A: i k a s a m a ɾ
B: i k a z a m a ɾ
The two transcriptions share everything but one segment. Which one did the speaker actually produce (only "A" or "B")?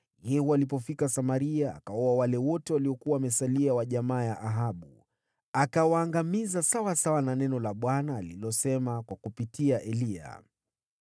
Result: A